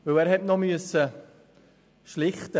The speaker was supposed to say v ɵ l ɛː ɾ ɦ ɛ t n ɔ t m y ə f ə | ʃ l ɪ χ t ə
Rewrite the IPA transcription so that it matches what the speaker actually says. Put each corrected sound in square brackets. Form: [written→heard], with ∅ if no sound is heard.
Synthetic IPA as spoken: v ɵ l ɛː ɾ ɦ ɛ t n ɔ [t→∅] m y ə [f→s] ə | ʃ l ɪ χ t ə